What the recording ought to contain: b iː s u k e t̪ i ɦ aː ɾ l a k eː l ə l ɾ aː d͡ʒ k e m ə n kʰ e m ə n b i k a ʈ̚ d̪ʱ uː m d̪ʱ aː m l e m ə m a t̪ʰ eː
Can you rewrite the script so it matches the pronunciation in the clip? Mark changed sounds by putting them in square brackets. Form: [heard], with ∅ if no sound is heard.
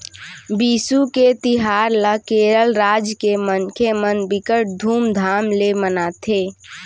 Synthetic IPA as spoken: b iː s u k e t̪ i ɦ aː ɾ l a k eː [ɾ] ə l ɾ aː d͡ʒ k e m ə n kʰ e m ə n b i k [ə] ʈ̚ d̪ʱ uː m d̪ʱ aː m l e m ə [n] a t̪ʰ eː